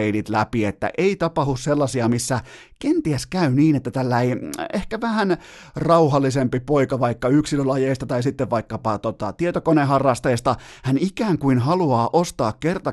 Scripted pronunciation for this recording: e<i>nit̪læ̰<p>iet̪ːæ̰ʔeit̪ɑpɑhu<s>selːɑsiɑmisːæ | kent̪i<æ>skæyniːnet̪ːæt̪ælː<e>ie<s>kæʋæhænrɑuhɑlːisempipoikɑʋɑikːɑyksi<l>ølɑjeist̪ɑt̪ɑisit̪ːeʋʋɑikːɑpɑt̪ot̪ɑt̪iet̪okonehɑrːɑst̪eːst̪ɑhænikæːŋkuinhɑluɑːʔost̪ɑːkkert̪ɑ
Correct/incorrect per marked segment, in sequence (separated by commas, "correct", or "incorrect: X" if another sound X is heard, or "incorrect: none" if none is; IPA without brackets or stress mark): correct, correct, correct, correct, incorrect: æ, incorrect: h, correct